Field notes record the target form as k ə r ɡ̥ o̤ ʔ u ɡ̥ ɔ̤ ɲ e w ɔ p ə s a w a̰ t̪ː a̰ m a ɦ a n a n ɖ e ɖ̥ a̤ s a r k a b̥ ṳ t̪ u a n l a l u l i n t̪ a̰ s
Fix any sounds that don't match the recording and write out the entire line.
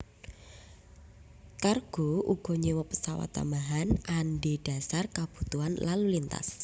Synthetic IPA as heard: k a r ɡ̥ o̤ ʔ u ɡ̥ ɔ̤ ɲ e w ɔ p ə s a w a̰ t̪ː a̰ m a ɦ a n a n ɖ e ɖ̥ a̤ s a r k a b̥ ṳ t̪ u a n l a l u l i n t̪ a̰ s